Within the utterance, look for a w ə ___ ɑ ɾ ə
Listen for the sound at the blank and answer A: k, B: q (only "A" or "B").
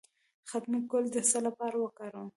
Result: A